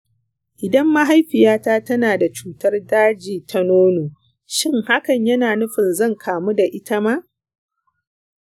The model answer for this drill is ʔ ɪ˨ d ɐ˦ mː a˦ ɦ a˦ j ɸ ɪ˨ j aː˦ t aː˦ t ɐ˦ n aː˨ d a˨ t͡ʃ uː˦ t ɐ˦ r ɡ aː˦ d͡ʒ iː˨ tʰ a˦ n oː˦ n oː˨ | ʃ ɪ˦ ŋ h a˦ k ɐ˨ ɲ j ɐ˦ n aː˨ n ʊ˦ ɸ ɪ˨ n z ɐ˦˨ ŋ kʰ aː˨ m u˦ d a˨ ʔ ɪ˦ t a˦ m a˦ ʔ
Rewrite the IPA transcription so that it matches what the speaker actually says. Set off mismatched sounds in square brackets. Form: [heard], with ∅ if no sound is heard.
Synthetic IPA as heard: ʔ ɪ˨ d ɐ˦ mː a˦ ɦ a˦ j ɸ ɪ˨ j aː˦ t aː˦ t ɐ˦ n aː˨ d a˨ t͡ʃ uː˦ t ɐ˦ r [d] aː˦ d͡ʒ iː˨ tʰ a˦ n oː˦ n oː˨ | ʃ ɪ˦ ŋ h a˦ k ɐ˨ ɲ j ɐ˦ n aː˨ n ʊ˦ ɸ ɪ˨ n z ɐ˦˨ ŋ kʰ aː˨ m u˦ d a˨ ʔ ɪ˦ t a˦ m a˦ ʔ

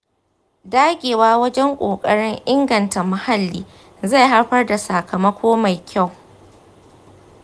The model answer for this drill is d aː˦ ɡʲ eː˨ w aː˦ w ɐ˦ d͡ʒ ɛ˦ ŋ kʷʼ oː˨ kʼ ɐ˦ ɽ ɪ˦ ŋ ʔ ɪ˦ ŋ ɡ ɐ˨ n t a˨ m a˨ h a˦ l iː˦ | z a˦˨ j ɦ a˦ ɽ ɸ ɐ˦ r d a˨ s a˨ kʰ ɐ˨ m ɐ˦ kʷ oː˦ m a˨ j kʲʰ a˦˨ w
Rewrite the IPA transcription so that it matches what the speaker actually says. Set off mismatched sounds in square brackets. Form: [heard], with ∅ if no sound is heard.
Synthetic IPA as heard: d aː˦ ɡʲ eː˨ w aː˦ w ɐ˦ d͡ʒ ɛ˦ ŋ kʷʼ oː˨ kʼ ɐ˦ ɽ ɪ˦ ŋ ʔ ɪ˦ ŋ ɡ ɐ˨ n t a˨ m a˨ h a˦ [lː] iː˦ | z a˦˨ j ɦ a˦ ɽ ɸ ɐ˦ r d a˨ s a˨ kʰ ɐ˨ m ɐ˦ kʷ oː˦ m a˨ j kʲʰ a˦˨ w

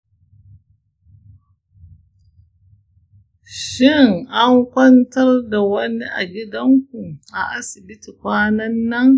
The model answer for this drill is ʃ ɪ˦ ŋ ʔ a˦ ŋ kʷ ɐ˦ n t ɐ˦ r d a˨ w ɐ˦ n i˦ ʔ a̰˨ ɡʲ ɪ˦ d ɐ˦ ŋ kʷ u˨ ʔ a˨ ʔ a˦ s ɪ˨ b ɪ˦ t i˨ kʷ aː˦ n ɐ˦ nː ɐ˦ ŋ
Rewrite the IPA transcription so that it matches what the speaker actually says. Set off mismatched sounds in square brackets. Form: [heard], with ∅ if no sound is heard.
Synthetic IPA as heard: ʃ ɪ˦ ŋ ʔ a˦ ŋ kʷ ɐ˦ n t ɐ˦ r d a˨ w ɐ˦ n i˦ ʔ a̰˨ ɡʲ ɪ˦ d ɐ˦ ŋ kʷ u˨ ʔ a˨ ʔ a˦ s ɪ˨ b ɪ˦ t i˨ kʷ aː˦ n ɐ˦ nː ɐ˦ ŋ

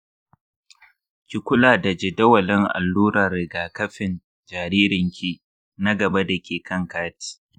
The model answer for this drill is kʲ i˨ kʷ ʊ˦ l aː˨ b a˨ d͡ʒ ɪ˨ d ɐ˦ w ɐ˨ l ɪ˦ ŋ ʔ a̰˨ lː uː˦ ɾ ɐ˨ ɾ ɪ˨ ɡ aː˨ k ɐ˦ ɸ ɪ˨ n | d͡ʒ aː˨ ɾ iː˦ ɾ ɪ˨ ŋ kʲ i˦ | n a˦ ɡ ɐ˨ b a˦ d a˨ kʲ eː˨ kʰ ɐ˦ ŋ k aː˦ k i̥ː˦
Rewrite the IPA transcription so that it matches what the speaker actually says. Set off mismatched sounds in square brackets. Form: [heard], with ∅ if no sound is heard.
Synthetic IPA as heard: kʲ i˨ kʷ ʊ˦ l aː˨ [d] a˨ d͡ʒ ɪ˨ d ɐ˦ w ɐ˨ l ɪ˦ ŋ ʔ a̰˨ lː uː˦ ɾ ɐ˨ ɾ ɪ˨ ɡ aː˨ k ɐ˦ ɸ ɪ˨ n | d͡ʒ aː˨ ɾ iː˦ ɾ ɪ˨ ŋ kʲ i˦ | n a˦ ɡ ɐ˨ b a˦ d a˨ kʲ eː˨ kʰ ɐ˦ ŋ k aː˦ [t] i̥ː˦

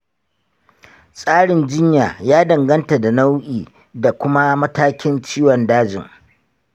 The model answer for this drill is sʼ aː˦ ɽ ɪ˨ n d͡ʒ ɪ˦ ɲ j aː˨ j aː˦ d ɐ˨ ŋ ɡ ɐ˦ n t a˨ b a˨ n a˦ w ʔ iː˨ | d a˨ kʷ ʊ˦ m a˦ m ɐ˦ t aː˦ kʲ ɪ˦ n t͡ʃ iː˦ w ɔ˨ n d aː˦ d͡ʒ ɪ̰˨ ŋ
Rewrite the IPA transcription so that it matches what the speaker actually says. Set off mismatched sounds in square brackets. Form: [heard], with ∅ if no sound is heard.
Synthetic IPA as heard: sʼ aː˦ ɽ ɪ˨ n d͡ʒ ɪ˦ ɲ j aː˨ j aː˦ d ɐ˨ ŋ ɡ ɐ˦ n t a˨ [d] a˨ n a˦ w ʔ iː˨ | d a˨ kʷ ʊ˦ m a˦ m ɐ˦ t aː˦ kʲ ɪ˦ n t͡ʃ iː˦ w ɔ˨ n d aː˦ d͡ʒ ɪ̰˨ ŋ

